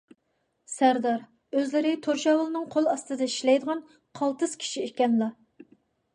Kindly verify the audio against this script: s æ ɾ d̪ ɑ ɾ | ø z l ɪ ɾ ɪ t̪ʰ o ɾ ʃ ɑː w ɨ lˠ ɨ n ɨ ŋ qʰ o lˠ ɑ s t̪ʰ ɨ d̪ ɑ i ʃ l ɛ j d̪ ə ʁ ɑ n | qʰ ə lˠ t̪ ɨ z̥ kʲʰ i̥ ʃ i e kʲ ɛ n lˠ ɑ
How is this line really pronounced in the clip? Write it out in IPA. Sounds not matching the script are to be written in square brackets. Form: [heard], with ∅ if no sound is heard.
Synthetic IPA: s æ ɾ d̪ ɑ ɾ | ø z l ɪ ɾ ɪ t̪ʰ o ɾ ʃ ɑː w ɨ lˠ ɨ n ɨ ŋ qʰ o lˠ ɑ s [t̪] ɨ d̪ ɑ i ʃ l ɛ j d̪ ə ʁ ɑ n | qʰ [ɑ] lˠ t̪ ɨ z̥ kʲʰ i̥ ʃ i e kʲ ɛ n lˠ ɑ

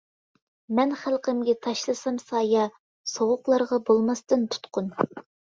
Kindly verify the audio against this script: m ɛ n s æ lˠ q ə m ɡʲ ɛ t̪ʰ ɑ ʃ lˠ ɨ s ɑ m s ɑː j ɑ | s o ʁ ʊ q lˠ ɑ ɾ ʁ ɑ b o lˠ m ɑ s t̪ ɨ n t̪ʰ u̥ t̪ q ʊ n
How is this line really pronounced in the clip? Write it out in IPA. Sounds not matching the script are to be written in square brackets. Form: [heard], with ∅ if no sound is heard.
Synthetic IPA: m ɛ n [χ] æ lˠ q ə m ɡʲ ɛ t̪ʰ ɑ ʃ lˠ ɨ s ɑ m s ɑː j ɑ | s o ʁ ʊ q lˠ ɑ ɾ ʁ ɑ b o lˠ m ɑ s t̪ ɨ n t̪ʰ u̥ t̪ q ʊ n

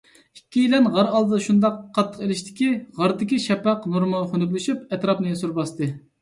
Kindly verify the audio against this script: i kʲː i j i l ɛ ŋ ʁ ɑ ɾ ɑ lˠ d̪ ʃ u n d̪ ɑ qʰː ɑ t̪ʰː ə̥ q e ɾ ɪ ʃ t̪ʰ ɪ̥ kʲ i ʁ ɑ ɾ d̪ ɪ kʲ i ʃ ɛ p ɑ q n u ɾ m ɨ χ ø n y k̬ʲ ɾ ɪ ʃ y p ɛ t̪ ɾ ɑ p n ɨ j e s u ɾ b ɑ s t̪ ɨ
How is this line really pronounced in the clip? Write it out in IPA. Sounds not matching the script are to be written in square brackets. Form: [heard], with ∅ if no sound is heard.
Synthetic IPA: i kʲː i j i l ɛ [n] ʁ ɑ ɾ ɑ lˠ d̪ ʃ u n d̪ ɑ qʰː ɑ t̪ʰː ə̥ q e [l] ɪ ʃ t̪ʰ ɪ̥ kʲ i ʁ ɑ ɾ d̪ ɪ kʲ i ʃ ɛ p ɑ q n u ɾ m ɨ χ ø n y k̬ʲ [l] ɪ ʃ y p ɛ t̪ ɾ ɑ p n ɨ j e s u ɾ b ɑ s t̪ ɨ

